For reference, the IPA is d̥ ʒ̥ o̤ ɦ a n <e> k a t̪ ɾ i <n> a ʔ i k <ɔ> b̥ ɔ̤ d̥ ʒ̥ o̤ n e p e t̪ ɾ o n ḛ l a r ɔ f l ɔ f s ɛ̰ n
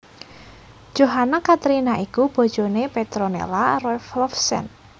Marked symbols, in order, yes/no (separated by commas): no, yes, no